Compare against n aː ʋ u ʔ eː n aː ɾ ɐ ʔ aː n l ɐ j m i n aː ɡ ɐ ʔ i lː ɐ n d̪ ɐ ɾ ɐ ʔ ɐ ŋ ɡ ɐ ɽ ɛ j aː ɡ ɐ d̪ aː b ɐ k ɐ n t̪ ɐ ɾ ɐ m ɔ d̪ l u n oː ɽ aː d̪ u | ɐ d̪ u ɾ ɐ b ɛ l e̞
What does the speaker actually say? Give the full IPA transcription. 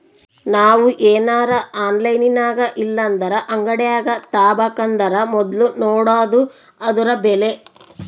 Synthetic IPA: n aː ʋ u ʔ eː n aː ɾ ɐ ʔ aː n l ɐ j n i n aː ɡ ɐ ʔ i lː ɐ n d̪ ɐ ɾ ɐ ʔ ɐ ŋ ɡ ɐ ɽ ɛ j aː ɡ ɐ t̪ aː b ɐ k ɐ n d̪ ɐ ɾ ɐ m ɔ d̪ l u n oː ɽ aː d̪ u | ɐ d̪ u ɾ ɐ b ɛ l e̞